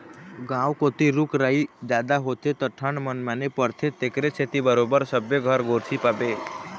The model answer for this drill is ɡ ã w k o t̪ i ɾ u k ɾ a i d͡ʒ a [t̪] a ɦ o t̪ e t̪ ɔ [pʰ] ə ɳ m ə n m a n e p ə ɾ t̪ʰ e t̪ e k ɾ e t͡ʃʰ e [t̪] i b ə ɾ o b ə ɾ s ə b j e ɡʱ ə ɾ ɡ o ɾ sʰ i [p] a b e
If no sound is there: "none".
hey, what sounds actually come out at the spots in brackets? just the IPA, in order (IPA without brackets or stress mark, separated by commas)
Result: d̪, ʈʰ, t̪, p